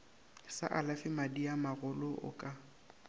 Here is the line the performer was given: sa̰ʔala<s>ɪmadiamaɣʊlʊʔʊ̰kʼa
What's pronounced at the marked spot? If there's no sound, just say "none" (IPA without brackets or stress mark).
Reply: f